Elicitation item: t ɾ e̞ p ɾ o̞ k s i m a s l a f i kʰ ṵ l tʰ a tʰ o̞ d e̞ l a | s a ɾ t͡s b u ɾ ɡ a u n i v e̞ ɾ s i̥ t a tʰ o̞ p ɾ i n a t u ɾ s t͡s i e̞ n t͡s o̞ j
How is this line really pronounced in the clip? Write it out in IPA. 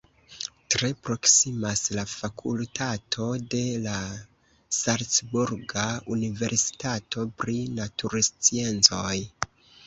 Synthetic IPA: t ɾ e̞ p ɾ o̞ k s i m a s l a f a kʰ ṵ l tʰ a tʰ o̞ d e̞ l a | s a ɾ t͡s b u ɾ ɡ a u n i v e̞ ɾ s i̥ t a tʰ o̞ p ɾ i n a t u ɾ s t͡s i e̞ n t͡s o̞ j